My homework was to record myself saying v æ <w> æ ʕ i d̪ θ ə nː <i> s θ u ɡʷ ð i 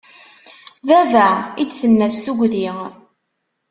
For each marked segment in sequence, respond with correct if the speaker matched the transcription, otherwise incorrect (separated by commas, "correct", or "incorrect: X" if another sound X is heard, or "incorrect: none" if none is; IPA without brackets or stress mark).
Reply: incorrect: v, incorrect: æ